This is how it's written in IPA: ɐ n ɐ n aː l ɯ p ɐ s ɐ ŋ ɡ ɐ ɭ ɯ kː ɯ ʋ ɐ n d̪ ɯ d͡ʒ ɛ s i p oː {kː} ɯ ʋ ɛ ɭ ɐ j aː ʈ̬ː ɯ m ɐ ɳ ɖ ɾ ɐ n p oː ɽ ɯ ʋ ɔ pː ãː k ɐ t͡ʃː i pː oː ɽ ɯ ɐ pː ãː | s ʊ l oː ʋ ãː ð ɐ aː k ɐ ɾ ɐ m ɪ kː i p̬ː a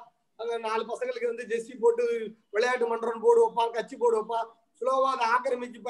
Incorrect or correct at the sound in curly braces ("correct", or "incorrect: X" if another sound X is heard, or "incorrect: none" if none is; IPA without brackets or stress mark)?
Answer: incorrect: ʈː